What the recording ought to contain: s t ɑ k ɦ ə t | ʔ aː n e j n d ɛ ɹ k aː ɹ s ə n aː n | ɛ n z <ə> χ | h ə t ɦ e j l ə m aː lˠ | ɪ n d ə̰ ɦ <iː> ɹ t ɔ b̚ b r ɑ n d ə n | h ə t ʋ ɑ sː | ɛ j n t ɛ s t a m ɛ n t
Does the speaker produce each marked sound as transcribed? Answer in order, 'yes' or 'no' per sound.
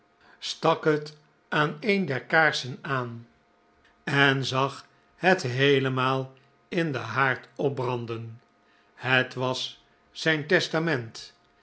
no, no

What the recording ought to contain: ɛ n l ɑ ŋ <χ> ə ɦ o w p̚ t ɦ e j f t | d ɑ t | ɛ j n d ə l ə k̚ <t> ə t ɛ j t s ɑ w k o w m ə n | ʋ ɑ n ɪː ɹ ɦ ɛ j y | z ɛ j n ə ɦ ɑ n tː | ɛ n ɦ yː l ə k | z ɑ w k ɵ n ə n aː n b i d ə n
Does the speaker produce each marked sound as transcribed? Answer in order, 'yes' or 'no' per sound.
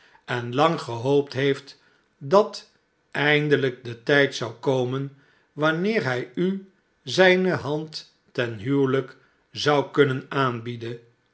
yes, no

